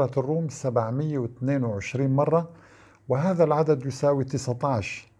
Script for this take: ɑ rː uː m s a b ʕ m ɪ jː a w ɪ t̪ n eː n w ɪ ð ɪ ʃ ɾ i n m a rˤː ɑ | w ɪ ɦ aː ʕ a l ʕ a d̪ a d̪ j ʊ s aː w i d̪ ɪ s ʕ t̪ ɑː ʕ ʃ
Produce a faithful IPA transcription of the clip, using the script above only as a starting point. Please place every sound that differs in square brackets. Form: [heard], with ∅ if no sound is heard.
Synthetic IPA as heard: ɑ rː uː m s a b ʕ m ɪ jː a w ɪ t̪ n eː n w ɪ [ʕ] ɪ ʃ ɾ [iː] n m [ɑ] rˤː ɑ | w ɪ ɦ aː [ð] a l ʕ a d̪ a d̪ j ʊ s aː w i [t̪] ɪ s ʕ t̪ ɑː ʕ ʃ